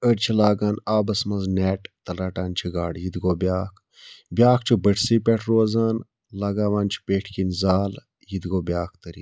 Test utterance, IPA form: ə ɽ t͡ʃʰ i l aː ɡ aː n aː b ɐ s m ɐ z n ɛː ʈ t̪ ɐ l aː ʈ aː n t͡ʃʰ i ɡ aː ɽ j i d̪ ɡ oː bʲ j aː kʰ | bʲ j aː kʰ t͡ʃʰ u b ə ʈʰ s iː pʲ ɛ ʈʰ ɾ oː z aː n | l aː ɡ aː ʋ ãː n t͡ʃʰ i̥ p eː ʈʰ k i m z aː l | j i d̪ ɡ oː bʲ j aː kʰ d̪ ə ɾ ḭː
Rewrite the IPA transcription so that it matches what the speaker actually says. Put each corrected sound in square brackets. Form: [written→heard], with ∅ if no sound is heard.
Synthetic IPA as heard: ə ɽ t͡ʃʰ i l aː ɡ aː n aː b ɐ s m ɐ z n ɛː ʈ t̪ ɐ l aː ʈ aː n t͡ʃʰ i ɡ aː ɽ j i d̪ ɡ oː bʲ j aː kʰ | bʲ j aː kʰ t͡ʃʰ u b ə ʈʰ s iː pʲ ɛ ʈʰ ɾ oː z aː n | l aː ɡ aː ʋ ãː n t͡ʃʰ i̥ p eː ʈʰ k i [m→n] z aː l | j i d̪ ɡ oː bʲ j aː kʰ [d̪→t̪] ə ɾ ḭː